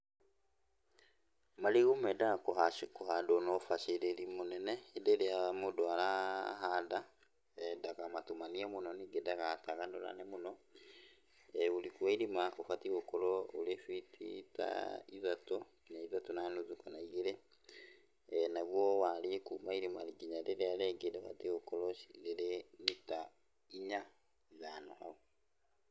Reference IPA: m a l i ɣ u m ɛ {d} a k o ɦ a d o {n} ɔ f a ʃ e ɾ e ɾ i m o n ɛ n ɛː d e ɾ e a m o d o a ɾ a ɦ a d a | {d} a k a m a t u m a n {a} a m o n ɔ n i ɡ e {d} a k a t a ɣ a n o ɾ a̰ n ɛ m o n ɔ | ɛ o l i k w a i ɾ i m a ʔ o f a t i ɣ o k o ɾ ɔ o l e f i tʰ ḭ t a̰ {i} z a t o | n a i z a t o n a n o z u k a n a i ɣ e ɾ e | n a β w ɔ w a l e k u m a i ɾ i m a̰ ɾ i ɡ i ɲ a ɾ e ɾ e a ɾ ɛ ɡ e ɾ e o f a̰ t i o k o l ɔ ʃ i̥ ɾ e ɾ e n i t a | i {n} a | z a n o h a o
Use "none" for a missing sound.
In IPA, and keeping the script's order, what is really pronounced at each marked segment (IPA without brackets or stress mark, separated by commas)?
d, n, d, i, d, i, ɲ